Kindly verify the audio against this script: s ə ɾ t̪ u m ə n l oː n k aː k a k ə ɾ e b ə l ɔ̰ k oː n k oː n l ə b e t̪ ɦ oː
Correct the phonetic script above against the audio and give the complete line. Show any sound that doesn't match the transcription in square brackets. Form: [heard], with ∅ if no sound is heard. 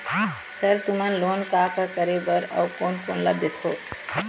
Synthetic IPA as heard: s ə ɾ t̪ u m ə n l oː n k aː k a k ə ɾ e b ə [ɾ] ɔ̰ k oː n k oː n l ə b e t̪ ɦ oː